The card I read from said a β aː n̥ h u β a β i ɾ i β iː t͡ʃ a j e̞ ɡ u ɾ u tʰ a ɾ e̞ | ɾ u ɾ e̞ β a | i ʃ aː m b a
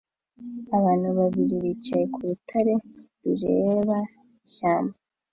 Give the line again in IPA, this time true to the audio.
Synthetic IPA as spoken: a β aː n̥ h u β a β i ɾ i β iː t͡ʃ a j e̞ k u ɾ u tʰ a ɾ e̞ | ɾ u ɾ e̞ β a | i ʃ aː m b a